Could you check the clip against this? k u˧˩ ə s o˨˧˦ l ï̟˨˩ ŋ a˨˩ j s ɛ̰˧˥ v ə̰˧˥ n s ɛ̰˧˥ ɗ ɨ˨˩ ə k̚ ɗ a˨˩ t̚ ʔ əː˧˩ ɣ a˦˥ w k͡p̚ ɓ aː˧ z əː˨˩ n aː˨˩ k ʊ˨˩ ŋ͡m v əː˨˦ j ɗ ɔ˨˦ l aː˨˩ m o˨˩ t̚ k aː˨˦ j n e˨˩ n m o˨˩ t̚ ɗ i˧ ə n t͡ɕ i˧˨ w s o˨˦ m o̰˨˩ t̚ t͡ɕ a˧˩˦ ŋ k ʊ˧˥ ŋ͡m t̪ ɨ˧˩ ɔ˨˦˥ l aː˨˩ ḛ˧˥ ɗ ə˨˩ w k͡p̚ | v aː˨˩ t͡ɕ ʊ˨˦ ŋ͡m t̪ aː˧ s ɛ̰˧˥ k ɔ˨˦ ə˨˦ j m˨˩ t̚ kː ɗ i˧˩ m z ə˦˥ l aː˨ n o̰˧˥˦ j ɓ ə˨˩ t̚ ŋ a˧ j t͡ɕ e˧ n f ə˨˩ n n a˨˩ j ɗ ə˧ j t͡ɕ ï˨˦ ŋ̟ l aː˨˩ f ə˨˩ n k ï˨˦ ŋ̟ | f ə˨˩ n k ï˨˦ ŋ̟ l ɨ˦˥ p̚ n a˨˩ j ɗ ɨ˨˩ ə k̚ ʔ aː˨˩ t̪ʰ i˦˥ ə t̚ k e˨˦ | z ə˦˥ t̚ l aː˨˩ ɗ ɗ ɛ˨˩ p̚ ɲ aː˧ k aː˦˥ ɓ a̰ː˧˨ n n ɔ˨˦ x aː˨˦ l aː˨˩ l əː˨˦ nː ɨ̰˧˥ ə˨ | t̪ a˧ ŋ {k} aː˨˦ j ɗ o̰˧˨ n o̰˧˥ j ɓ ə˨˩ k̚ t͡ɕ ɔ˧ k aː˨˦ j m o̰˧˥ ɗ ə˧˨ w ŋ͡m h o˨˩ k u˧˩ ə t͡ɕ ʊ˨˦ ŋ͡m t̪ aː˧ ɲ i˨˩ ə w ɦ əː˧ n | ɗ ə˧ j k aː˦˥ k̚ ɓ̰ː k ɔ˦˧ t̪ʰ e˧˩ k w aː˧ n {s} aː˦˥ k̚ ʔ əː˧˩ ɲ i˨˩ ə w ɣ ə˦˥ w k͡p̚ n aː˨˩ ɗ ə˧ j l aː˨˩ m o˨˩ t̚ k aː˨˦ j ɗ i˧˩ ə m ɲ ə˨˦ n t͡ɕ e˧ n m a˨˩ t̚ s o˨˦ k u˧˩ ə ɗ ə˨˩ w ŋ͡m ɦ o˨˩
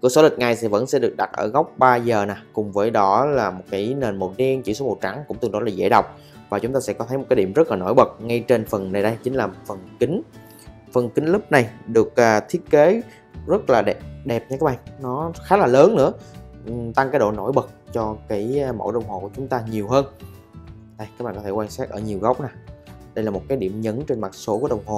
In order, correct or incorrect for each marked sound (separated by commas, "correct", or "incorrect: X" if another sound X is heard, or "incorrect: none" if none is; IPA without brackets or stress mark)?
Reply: correct, correct